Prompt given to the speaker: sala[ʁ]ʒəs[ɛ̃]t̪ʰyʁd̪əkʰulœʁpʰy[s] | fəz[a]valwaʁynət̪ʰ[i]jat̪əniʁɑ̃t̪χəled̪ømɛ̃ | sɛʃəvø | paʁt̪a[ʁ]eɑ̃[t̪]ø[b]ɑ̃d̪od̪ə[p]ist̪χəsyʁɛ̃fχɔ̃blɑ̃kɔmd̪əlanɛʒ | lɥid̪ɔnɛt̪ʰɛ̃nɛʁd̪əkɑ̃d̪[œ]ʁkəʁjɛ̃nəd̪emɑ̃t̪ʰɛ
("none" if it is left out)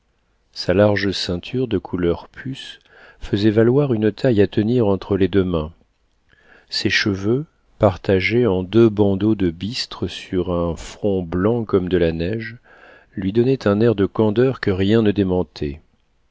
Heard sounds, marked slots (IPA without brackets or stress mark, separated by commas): ʁ, ɛ̃, s, ɛ, a, ʒ, d̪, b, b, œ